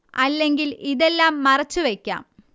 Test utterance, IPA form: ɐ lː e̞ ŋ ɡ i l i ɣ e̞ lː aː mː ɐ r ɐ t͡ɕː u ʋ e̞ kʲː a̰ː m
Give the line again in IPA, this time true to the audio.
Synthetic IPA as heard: ɐ lː e̞ ŋ ɡ i l i ð e̞ lː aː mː ɐ r ɐ t͡ɕː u ʋ e̞ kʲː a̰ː m